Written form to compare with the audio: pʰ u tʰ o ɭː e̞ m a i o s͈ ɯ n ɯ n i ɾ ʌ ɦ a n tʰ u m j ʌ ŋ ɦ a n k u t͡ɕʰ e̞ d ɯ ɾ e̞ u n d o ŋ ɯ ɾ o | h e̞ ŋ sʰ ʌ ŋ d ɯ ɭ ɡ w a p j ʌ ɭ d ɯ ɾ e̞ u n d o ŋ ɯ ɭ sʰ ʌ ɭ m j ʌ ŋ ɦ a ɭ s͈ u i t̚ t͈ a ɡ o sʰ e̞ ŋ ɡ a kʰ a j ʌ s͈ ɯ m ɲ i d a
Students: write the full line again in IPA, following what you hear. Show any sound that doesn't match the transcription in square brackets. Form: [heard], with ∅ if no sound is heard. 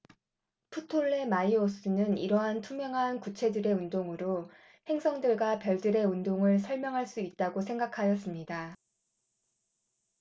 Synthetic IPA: pʰ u tʰ o ɭː e̞ m a i o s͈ ɯ n ɯ n i ɾ ʌ ɦ a n tʰ u m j ʌ ŋ ɦ a n k u t͡ɕʰ e̞ d ɯ ɾ e̞ u n d o ŋ ɯ ɾ o | h e̞ ŋ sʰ ʌ ŋ d ɯ ɭ ɡ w a p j ʌ ɭ d ɯ ɾ e̞ u n d o ŋ ɯ ɭ sʰ ʌ ɭ m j ʌ ŋ ɦ a ɭ s͈ u i t̚ t͈ a ɡ o sʰ e̞ ŋ ɡ a kʰ a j ʌ s͈ ɯ m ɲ i d a